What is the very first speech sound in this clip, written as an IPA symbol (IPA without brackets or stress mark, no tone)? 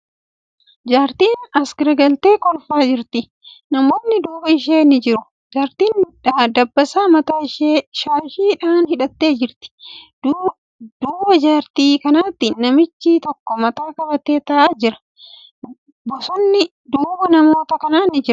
d͡ʒ